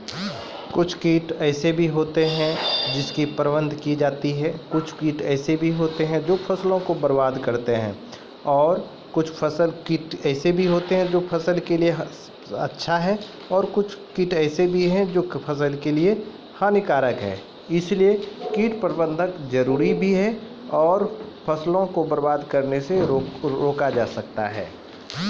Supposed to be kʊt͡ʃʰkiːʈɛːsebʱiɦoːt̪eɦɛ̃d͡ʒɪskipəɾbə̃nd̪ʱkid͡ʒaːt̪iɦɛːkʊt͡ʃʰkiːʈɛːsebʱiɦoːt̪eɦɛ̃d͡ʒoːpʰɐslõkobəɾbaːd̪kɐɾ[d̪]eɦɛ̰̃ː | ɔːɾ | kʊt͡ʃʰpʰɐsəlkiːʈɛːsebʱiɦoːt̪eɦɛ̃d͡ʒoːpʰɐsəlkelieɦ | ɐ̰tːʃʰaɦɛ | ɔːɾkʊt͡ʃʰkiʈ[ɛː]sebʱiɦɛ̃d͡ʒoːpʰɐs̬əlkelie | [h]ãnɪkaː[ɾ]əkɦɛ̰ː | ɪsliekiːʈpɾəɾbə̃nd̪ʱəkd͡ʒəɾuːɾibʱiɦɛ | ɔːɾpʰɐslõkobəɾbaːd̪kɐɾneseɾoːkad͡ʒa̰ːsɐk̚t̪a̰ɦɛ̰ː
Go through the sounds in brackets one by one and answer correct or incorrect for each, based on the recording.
incorrect: t̪, correct, correct, correct

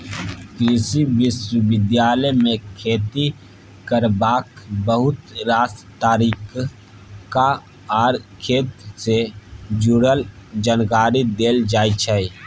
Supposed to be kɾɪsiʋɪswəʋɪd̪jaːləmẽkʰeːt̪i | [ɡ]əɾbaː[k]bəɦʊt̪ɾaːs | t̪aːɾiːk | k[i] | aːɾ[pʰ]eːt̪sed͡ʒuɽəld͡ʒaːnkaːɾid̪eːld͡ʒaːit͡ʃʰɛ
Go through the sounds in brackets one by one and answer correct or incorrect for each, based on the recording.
incorrect: k, correct, incorrect: a, incorrect: kʰ

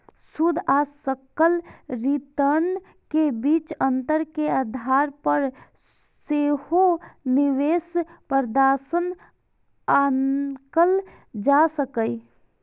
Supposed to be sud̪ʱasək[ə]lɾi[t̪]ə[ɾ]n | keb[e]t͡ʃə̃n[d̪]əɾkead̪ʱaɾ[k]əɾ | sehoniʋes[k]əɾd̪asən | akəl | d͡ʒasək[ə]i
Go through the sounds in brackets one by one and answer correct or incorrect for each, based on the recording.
correct, correct, correct, incorrect: i, incorrect: t̪, incorrect: p, incorrect: p, correct

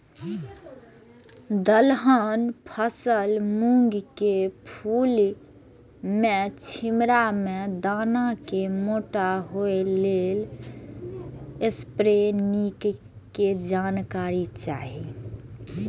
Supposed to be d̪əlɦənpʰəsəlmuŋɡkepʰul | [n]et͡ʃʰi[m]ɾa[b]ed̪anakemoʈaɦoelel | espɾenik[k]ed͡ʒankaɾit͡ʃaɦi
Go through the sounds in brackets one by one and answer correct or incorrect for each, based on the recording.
incorrect: m, correct, incorrect: m, correct

